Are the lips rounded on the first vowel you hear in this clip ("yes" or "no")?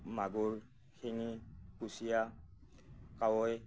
no